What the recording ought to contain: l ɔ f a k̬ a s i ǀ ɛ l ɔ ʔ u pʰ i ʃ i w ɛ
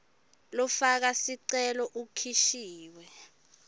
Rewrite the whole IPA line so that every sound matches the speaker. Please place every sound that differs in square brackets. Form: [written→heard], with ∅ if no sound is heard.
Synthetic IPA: l ɔ f a k̬ a s i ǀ ɛ l ɔ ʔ u [pʰ→kʰ] i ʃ [i→iː] w ɛ